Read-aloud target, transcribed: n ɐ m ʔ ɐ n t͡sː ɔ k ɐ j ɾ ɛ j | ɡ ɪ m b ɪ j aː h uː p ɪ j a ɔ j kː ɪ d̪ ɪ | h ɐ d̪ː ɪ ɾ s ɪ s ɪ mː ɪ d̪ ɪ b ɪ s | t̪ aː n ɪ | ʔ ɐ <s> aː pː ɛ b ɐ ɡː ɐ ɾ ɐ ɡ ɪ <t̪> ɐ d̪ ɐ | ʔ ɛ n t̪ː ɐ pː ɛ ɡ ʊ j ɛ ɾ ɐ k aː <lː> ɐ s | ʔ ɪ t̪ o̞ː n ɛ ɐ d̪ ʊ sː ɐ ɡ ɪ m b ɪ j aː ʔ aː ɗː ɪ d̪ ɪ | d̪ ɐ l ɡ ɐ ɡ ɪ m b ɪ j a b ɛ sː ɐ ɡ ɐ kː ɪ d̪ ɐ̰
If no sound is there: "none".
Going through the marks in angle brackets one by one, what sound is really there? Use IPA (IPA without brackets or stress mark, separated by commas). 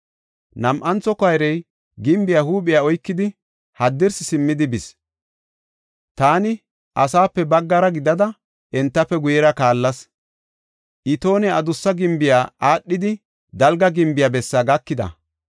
s, d̪, lː